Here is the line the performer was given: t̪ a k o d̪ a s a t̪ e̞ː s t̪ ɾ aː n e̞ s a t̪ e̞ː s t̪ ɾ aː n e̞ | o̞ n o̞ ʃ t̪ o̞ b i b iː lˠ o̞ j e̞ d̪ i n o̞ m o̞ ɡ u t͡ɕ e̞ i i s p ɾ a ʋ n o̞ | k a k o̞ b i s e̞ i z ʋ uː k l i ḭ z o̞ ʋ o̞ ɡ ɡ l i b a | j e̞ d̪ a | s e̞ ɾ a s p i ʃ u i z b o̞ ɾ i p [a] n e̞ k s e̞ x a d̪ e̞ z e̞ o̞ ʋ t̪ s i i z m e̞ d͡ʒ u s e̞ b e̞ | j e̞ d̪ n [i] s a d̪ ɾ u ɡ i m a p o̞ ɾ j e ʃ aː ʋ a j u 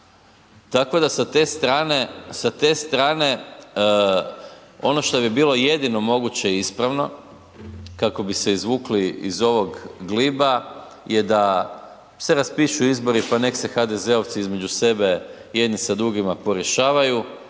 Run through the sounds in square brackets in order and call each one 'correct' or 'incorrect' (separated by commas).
correct, correct